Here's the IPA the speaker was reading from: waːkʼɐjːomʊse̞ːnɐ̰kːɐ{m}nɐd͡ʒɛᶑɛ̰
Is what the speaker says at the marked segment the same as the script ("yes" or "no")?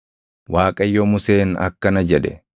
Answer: no